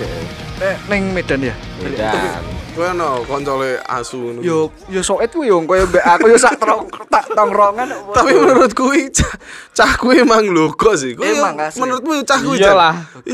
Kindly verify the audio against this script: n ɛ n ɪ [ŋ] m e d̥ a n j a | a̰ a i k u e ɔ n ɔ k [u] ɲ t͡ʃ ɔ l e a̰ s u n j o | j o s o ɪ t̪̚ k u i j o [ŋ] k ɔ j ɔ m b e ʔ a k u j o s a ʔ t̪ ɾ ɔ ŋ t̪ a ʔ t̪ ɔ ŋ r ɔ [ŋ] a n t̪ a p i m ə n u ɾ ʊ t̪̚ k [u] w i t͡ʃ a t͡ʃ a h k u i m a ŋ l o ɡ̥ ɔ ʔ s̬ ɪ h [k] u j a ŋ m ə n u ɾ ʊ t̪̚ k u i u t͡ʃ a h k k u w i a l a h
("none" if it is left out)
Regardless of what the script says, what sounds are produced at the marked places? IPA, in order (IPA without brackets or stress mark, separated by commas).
ŋ, ɔ, ŋ, ŋ, u, k